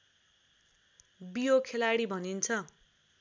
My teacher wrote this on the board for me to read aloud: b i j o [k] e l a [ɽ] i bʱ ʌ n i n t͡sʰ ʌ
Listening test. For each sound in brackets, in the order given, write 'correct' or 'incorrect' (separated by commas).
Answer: incorrect, correct